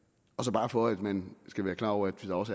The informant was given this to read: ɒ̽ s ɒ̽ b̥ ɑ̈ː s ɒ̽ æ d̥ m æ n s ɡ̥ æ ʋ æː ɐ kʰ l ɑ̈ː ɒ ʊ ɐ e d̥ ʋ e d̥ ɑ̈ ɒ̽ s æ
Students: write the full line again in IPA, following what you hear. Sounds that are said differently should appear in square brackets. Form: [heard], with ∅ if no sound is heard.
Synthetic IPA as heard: ɒ̽ s ɒ̽ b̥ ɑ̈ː [f] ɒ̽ æ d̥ m æ n s ɡ̥ æ ʋ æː ɐ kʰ l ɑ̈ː ɒ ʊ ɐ [æ] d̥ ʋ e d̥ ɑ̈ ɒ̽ s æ